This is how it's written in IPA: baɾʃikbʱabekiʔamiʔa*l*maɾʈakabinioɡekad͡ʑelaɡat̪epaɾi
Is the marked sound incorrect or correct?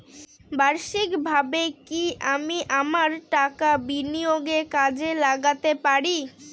incorrect